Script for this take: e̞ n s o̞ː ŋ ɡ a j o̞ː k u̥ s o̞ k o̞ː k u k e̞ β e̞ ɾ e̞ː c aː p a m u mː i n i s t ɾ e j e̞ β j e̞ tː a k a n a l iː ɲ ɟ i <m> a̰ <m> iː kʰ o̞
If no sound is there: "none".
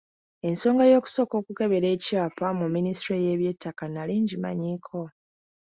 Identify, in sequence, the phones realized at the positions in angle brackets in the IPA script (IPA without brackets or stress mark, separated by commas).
m, ɲ